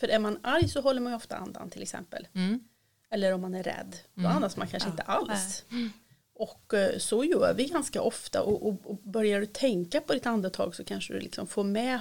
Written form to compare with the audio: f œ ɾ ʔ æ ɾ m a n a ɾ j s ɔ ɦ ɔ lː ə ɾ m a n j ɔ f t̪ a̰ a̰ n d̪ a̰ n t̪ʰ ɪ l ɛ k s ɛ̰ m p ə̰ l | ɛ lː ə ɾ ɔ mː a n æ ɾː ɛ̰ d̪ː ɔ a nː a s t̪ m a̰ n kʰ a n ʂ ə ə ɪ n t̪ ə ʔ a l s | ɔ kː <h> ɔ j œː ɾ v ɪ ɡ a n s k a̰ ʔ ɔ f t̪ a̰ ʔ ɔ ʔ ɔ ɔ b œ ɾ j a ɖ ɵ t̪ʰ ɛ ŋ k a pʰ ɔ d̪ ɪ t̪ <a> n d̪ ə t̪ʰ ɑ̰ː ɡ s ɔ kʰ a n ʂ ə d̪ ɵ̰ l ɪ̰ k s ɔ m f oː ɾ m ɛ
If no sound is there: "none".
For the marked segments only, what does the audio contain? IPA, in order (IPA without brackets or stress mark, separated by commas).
s, a